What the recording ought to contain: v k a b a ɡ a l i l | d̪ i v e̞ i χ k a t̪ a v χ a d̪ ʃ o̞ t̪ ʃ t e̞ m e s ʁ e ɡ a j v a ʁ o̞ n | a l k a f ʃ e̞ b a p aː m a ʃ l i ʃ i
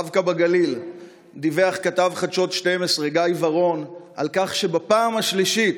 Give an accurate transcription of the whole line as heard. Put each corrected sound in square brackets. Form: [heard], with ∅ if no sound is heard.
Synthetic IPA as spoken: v k a b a ɡ a l i l | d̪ i v e̞ [a] χ k a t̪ a v χ a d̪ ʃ o̞ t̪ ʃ t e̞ m e s ʁ e ɡ a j v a ʁ o̞ n | a l k a [χ] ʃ e̞ b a p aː m a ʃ l i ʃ i

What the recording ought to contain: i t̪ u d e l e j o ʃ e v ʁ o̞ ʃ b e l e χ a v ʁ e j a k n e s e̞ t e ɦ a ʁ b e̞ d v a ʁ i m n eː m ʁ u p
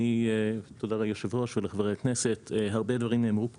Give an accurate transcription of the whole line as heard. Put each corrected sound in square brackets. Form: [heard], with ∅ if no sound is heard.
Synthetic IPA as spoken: i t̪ [o] d [a] l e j o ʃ e v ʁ o̞ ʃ [v] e l e χ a v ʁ e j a k n e s e̞ t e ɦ a ʁ b e̞ d v a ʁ i m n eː m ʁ u p

